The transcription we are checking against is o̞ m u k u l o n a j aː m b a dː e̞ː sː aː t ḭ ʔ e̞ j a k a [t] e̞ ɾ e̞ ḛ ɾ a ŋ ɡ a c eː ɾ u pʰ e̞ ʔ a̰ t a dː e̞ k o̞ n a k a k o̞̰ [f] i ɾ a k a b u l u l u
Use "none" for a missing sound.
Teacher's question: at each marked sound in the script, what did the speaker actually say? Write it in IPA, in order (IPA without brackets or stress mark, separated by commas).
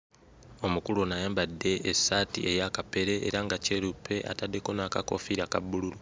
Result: p, f